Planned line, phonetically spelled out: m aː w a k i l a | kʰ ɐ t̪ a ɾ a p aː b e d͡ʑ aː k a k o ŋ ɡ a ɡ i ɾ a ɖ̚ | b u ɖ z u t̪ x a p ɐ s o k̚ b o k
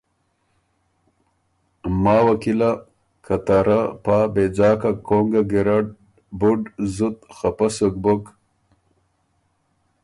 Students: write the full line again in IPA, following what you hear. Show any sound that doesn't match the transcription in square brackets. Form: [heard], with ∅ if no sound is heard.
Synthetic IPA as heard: m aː w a k i l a | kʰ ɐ t̪ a ɾ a p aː b e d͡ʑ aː k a k o ŋ ɡ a ɡ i ɾ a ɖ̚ | b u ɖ z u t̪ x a p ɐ s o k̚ b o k